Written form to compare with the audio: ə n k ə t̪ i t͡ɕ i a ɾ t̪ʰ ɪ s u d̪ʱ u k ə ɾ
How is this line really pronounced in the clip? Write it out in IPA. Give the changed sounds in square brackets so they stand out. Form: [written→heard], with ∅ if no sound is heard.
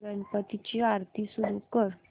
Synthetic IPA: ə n [k→p] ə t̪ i t͡ɕ i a ɾ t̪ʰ [ɪ→i] s u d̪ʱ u k ə ɾ